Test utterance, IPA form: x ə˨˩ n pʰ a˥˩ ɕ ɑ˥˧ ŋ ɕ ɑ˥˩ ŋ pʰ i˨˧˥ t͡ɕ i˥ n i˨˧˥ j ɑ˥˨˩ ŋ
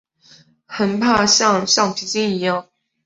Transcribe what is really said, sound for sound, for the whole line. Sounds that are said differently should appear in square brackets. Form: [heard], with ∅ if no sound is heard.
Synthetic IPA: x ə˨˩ n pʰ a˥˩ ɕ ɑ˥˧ ŋ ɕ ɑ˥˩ ŋ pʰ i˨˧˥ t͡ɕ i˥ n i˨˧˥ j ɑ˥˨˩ ŋ